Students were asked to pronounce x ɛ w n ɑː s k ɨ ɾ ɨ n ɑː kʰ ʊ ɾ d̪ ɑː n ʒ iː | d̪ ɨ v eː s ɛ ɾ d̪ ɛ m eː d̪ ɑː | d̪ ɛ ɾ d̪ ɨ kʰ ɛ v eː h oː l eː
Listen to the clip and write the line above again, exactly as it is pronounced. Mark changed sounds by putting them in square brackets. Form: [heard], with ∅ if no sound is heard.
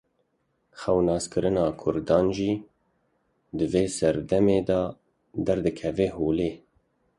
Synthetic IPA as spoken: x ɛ w n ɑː s k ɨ ɾ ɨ n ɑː kʰ ʊ ɾ d̪ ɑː n ʒ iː | d̪ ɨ v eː s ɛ ɾ d̪ ɛ m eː d̪ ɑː | d̪ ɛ ɾ d̪ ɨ kʰ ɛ v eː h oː l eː